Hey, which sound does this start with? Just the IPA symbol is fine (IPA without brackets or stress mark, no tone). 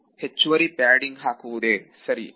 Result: h